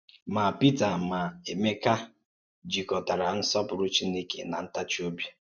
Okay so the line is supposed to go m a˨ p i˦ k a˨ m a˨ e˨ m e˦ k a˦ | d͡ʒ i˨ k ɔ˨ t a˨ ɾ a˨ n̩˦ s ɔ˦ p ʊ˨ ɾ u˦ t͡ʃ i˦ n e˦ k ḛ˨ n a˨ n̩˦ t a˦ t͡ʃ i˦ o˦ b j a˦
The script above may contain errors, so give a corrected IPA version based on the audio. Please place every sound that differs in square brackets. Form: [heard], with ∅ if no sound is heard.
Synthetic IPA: m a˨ p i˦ [t] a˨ m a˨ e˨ m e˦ k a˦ | d͡ʒ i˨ k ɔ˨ t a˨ ɾ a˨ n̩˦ s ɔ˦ p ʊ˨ ɾ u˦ t͡ʃ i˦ n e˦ k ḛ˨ n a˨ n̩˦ t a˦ t͡ʃ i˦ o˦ b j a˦